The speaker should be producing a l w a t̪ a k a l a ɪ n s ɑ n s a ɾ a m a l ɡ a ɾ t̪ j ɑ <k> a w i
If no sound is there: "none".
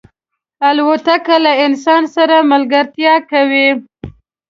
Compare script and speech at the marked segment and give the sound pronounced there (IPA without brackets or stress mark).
k